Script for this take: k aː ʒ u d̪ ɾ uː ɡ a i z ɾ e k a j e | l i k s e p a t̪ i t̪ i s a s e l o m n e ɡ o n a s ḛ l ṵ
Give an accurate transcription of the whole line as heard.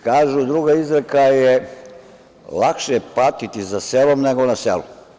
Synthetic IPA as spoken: k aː ʒ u d̪ ɾ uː ɡ a i z ɾ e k a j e | l a k ʃ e p a t̪ i t̪ i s a s e l o m n e ɡ o n a s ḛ l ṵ